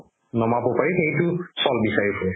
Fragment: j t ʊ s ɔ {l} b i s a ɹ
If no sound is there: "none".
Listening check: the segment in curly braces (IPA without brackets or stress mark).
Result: l